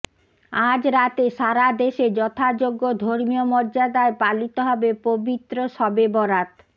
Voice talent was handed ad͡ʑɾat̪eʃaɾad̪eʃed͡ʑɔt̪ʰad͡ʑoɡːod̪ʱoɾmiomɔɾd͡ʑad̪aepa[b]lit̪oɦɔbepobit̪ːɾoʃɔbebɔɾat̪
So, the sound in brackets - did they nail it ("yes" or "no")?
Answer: no